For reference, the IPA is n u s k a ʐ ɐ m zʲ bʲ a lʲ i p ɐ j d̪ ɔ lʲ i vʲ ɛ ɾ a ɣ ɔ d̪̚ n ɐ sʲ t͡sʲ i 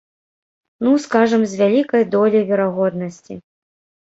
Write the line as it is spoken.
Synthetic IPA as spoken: n u s k a ʐ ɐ m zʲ vʲ a lʲ i k ɐ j d̪ ɔ lʲ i vʲ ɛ ɾ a ɣ ɔ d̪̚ n ɐ sʲ t͡sʲ i